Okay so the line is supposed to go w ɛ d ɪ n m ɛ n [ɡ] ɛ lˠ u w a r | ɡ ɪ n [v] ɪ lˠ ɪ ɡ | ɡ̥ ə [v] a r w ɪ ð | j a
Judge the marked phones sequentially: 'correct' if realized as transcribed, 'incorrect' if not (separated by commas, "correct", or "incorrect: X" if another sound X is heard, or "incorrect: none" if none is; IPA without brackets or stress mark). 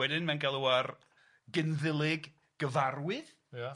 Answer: correct, incorrect: ð, correct